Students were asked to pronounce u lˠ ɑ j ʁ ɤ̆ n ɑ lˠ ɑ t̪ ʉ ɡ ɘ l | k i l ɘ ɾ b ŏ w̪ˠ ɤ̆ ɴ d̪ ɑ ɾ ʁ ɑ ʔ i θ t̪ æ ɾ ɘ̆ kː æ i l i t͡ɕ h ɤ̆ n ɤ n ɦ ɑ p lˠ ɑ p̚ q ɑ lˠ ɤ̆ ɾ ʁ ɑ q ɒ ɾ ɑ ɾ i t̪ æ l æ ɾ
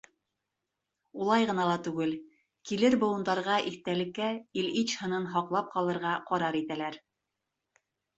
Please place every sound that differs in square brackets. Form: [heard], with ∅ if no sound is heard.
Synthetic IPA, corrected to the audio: u lˠ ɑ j ʁ ɤ̆ n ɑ lˠ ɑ t̪ ʉ ɡ ɘ l | k i l ɘ ɾ b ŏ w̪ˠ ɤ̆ [n] d̪ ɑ ɾ ʁ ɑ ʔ i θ t̪ æ [l] ɘ̆ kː æ i l i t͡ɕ h ɤ̆ n ɤ n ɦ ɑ [q] lˠ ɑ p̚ q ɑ lˠ ɤ̆ ɾ ʁ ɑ q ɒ ɾ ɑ ɾ i t̪ æ l æ ɾ